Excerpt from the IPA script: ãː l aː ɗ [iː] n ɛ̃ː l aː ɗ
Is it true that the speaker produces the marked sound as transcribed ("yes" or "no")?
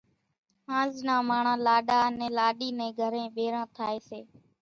no